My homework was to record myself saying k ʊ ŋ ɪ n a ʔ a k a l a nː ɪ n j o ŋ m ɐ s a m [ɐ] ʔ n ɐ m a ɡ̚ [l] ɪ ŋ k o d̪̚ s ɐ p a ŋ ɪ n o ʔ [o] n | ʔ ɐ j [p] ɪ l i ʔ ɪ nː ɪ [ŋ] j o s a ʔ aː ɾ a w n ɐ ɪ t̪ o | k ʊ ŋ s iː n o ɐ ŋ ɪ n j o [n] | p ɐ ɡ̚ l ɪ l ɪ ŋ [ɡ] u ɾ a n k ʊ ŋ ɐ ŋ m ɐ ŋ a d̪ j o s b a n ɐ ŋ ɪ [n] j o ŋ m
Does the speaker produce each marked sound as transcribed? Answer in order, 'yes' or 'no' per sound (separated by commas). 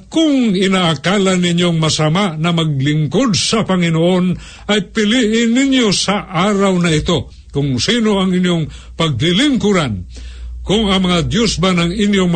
no, yes, yes, yes, no, no, no, yes